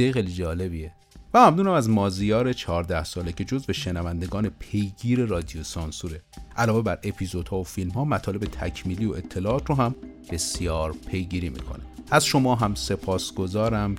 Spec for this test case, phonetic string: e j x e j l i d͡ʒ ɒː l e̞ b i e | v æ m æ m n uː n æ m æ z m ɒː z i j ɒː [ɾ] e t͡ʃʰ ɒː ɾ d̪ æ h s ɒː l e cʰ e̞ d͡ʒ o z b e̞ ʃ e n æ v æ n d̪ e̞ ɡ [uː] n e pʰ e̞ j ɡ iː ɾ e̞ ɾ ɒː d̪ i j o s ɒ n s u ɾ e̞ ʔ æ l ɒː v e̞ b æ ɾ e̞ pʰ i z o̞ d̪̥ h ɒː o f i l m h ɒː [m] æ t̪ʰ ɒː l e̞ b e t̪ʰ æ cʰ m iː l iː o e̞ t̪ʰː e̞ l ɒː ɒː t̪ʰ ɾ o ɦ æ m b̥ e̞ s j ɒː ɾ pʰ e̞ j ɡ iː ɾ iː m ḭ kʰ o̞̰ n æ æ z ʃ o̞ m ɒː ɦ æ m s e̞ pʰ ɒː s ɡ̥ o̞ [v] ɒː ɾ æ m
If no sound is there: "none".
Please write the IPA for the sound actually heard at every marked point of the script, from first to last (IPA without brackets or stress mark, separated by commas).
ɾ, ɒː, m, z